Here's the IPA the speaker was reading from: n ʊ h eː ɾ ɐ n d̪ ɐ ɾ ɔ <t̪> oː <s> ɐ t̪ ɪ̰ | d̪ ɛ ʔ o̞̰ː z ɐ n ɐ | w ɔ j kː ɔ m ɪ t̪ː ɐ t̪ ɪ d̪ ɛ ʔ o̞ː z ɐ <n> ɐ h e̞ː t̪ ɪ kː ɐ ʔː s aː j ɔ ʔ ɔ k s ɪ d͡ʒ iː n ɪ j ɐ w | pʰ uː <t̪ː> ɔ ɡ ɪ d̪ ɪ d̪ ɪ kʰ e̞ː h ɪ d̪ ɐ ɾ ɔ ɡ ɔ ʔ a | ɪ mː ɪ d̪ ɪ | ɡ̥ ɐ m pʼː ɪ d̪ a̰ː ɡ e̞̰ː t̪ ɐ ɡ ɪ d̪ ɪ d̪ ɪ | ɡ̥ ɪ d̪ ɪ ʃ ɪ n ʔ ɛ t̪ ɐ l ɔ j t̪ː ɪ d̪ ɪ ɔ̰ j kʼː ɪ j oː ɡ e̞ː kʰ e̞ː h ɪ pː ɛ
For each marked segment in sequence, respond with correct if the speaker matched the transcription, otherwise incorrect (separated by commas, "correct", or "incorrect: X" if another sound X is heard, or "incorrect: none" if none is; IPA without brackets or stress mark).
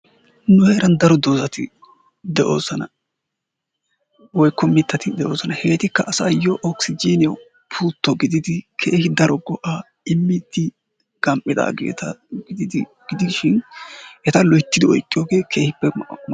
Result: incorrect: d̪, incorrect: z, correct, correct